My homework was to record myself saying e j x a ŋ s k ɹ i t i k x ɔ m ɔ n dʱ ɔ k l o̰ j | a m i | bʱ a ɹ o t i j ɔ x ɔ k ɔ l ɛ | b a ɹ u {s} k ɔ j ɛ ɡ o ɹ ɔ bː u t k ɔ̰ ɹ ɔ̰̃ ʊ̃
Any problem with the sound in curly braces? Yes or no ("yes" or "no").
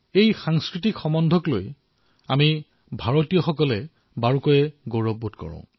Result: yes